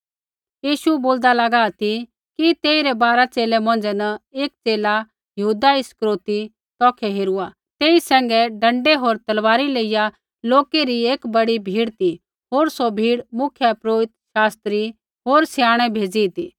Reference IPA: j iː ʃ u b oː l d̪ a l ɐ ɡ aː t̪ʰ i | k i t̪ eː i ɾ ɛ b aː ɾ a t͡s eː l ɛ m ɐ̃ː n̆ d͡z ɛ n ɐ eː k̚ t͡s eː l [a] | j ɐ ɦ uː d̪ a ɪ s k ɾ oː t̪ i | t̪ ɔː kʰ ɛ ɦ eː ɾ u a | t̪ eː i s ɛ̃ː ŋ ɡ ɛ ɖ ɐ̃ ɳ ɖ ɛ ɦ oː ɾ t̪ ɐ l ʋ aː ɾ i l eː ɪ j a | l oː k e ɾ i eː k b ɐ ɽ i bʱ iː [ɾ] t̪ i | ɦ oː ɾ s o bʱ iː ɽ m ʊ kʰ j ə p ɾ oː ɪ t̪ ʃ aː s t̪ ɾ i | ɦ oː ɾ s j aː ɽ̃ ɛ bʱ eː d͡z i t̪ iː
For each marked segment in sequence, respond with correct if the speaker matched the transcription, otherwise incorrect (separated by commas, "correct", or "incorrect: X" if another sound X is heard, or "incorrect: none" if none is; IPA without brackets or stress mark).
correct, incorrect: ɽ